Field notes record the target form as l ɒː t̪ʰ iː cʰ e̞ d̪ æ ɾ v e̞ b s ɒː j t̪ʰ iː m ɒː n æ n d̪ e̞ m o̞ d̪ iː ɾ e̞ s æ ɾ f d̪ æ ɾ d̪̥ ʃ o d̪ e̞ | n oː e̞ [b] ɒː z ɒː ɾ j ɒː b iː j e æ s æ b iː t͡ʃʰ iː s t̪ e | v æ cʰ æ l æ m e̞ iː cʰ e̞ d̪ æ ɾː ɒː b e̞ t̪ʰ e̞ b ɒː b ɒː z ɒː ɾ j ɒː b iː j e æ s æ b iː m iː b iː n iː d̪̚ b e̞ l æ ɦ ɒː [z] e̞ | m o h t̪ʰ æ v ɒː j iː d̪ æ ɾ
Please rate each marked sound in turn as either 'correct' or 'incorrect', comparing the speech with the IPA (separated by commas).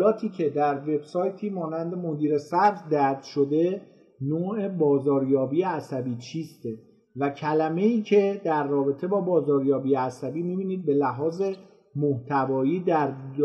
correct, correct